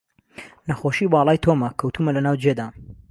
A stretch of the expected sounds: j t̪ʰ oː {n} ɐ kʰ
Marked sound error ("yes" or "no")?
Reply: yes